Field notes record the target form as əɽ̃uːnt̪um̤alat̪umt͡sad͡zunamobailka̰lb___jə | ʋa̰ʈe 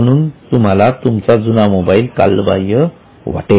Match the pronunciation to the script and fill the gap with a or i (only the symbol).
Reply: a